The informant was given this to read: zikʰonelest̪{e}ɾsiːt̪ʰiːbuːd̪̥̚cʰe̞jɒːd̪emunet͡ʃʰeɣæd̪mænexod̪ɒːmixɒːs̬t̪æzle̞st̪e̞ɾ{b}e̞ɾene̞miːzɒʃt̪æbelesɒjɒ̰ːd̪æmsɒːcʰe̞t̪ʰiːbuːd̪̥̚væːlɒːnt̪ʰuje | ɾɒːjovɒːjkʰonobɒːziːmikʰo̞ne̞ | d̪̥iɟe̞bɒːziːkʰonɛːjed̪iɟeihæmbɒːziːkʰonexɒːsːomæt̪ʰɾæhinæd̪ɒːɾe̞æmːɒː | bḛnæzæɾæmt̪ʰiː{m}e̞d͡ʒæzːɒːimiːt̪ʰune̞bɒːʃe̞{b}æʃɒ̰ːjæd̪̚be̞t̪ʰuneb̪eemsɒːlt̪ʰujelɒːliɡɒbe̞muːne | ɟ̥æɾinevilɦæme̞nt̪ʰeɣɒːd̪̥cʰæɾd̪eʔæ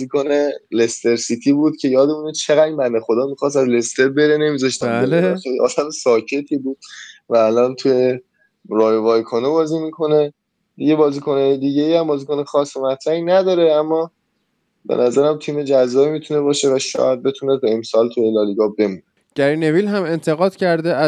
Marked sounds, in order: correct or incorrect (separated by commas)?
correct, correct, correct, incorrect